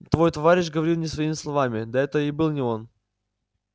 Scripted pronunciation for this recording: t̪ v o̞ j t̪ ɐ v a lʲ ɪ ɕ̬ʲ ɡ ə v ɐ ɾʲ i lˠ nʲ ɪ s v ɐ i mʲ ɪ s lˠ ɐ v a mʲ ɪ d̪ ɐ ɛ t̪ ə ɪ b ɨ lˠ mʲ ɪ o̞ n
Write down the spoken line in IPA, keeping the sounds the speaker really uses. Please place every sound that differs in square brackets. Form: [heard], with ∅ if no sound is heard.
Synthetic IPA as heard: t̪ v o̞ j t̪ ɐ v a [ɾʲ] ɪ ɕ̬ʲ ɡ ə v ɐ ɾʲ i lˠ nʲ ɪ s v ɐ i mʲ ɪ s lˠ ɐ v a mʲ ɪ d̪ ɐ ɛ t̪ ə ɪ b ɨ lˠ [nʲ] ɪ o̞ n